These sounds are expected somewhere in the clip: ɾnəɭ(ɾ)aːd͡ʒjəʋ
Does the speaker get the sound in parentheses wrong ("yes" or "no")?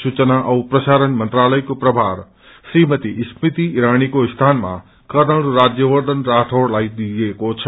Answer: no